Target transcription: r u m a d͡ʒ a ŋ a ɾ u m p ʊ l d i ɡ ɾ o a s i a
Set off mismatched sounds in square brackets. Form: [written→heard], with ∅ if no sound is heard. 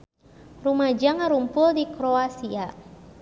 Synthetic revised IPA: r u m a d͡ʒ a ŋ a ɾ u m p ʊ l d i [ɡ→k] ɾ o a s i a